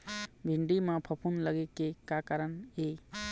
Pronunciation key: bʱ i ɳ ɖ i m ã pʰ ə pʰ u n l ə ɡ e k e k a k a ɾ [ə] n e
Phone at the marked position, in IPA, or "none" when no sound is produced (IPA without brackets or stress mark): ə